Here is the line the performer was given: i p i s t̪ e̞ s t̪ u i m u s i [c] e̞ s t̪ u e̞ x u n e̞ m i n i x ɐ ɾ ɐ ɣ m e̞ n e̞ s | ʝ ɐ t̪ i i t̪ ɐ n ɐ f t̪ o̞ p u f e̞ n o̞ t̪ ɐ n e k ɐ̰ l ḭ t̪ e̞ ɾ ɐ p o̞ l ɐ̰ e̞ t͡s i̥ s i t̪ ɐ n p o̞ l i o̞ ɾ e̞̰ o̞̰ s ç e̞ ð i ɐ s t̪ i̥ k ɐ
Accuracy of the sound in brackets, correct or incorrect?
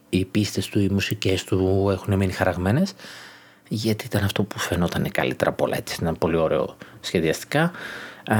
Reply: correct